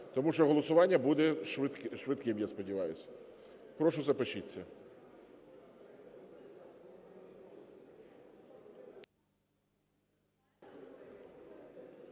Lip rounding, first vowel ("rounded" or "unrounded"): rounded